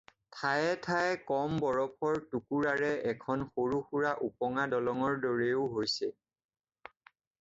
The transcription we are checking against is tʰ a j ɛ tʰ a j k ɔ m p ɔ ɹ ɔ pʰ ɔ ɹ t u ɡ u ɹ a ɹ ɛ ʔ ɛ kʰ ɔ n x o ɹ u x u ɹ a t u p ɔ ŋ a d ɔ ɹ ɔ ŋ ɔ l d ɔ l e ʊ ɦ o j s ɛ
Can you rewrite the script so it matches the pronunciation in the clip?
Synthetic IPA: tʰ a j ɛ tʰ a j k ɔ m b ɔ ɹ ɔ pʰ ɔ ɹ t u k u ɹ a ɹ ɛ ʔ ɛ kʰ ɔ n x o ɹ u x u ɹ a ʔ u p ɔ ŋ a d ɔ l ɔ ŋ ɔ ɹ d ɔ ɹ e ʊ ɦ o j s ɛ